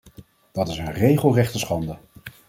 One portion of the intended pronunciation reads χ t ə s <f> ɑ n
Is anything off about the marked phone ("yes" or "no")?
yes